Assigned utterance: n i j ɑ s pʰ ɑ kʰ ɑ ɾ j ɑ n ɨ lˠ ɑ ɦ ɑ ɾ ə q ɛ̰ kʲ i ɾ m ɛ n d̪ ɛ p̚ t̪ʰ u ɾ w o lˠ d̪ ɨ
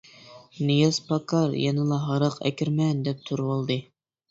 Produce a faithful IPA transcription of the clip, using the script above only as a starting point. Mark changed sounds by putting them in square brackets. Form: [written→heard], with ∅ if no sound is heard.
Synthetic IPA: n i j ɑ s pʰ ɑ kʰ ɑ ɾ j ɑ n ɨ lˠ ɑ ɦ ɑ ɾ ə q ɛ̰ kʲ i ɾ m ɛ n d̪ ɛ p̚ t̪ʰ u ɾ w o lˠ d̪ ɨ